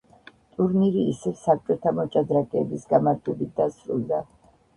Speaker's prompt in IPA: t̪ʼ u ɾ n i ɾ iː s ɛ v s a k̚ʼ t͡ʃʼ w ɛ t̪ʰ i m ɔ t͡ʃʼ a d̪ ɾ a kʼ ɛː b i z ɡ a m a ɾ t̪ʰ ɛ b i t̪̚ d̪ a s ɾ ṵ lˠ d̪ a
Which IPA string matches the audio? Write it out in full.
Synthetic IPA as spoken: t̪ʼ u ɾ n i ɾ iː s ɛ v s a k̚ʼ t͡ʃʼ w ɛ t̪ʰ a m ɔ t͡ʃʼ a d̪ ɾ a kʼ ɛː b i s ɡ a m a ɾ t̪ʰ ɛ b i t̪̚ d̪ a s ɾ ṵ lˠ d̪ a